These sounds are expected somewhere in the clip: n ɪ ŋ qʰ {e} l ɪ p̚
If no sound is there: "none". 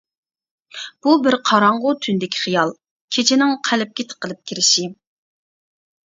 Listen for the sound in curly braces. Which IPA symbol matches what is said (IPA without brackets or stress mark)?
æ